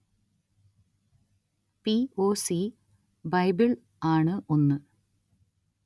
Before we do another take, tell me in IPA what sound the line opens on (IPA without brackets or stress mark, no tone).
p